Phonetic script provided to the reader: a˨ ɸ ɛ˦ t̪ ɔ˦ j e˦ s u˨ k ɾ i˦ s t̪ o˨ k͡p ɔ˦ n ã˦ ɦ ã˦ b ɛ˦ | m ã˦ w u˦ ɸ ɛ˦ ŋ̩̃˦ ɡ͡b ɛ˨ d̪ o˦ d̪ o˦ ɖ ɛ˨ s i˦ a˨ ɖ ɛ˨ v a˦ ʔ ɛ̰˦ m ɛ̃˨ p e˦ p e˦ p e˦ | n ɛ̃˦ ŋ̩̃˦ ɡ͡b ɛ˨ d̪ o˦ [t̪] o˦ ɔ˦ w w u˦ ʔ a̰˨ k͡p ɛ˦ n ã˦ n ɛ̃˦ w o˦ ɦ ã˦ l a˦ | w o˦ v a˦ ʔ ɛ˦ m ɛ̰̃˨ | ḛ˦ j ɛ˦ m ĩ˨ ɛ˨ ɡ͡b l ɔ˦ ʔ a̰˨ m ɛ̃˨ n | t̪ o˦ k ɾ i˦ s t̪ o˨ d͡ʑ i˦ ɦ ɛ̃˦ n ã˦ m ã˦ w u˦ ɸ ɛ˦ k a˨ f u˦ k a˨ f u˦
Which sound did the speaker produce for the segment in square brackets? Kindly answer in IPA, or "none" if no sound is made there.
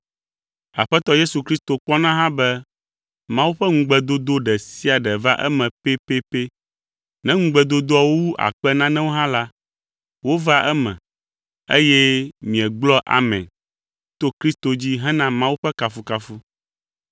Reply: d̪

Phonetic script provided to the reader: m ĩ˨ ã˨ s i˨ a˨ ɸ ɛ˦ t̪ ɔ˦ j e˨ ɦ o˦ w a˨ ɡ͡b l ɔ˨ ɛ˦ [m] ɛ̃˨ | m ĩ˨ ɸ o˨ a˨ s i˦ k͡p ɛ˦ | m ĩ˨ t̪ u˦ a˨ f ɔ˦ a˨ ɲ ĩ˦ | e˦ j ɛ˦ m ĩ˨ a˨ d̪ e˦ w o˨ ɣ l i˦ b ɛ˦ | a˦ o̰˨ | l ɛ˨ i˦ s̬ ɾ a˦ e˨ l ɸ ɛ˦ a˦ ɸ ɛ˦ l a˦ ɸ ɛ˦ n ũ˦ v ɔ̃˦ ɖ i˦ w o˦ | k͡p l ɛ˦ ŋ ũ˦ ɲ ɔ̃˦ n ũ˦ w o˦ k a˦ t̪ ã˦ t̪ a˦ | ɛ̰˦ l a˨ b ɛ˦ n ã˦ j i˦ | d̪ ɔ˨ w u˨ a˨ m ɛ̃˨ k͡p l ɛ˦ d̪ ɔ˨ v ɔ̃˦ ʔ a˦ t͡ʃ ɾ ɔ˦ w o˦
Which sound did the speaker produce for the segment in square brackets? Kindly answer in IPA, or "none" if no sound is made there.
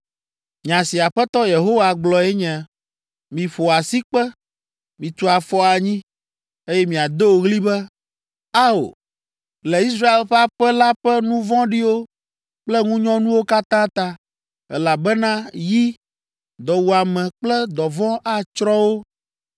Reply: ɲ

